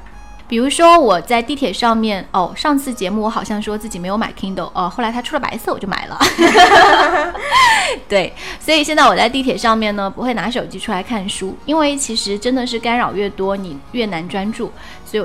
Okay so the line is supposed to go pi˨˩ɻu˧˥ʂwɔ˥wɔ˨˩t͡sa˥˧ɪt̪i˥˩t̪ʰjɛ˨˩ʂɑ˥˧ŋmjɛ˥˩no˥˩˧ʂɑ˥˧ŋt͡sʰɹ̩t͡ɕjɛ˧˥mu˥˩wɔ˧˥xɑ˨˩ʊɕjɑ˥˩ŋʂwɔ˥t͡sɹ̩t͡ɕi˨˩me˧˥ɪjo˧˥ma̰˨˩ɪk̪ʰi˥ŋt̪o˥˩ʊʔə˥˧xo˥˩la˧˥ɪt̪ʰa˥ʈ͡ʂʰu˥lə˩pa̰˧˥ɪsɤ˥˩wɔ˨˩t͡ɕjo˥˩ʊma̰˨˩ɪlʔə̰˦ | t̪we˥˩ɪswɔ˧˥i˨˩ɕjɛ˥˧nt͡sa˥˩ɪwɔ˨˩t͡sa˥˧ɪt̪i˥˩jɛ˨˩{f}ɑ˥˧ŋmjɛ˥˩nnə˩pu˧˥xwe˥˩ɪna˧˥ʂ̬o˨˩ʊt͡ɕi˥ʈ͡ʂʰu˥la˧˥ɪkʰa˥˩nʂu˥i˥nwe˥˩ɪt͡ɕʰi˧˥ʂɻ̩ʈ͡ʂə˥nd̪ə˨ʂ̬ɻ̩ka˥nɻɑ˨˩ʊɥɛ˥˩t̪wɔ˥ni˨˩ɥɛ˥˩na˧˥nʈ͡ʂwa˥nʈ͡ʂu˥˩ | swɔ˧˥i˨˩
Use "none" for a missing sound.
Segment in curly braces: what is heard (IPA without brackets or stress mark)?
ʂ